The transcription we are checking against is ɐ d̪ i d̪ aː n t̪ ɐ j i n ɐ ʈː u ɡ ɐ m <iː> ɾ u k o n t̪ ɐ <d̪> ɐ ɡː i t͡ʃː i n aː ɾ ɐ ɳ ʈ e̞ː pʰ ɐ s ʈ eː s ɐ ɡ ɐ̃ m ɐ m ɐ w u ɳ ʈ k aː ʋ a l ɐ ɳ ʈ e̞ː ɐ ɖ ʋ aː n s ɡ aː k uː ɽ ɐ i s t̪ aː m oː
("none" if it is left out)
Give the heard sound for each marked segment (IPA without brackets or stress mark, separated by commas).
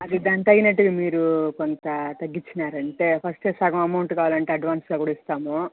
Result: iː, t̪